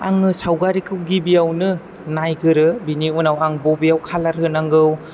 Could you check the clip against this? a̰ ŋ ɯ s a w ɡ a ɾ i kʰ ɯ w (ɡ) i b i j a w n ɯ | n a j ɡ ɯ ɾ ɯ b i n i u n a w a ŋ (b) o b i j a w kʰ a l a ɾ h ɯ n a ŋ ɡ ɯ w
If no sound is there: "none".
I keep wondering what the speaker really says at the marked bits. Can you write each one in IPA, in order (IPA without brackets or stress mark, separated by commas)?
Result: ɡ, b